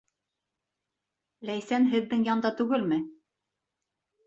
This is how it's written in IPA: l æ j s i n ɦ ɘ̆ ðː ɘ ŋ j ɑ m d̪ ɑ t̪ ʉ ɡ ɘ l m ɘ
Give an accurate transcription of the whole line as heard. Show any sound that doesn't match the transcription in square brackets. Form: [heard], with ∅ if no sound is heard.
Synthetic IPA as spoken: l æ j s [æ] n ɦ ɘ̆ ðː ɘ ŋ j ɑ [n] d̪ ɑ t̪ ʉ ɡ ɘ l m ɘ